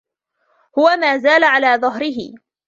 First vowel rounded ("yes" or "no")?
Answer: yes